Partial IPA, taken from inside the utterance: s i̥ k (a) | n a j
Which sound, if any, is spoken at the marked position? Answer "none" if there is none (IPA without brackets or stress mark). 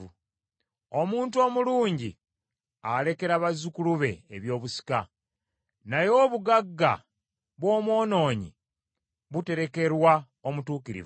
a